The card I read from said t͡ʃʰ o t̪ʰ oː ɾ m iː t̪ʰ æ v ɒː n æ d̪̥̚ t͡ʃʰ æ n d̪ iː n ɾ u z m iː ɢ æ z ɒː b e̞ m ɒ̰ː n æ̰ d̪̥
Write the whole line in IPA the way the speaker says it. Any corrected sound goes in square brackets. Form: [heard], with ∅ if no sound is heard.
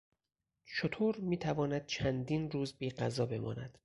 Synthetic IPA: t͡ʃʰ o t̪ʰ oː ɾ m iː t̪ʰ æ v ɒː n æ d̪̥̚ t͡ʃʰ æ n d̪ iː n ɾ [uː] z [b] iː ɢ æ z ɒː b e̞ m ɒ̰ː n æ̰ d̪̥